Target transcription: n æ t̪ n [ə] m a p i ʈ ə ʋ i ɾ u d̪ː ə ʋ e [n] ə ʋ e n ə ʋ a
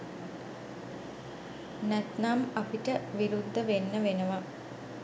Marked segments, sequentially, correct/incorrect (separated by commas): incorrect, incorrect